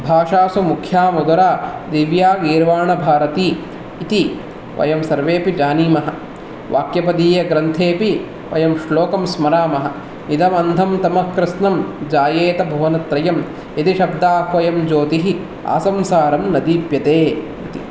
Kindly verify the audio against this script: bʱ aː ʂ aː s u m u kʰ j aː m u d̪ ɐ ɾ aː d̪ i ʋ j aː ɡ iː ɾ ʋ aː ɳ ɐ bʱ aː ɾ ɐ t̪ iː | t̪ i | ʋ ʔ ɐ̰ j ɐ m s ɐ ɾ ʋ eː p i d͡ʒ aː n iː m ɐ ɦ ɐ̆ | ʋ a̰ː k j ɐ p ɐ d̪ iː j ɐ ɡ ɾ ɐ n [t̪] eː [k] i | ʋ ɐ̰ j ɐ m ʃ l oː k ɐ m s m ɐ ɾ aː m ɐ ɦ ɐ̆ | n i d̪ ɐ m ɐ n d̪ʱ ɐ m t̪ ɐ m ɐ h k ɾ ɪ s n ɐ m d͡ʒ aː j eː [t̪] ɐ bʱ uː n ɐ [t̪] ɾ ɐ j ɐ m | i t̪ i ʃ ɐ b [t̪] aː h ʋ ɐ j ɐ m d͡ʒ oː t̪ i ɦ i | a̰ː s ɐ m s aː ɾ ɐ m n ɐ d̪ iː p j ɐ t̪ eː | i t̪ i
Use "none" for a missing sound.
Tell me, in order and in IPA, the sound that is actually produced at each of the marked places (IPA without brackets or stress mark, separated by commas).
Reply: t̪ʰ, p, t̪, t̪, d̪